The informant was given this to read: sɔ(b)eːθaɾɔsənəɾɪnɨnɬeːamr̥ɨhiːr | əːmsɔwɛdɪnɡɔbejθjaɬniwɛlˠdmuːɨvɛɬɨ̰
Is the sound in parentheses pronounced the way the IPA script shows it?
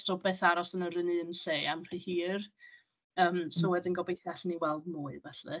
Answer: yes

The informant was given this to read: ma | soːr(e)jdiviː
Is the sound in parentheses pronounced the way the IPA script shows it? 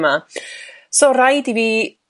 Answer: no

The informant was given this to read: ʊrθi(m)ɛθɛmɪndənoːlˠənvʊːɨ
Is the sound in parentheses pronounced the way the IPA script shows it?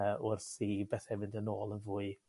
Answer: no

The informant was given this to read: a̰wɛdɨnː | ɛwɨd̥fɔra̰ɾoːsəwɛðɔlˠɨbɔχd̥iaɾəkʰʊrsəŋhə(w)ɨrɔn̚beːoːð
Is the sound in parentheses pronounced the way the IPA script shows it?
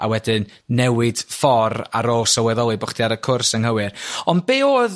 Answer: yes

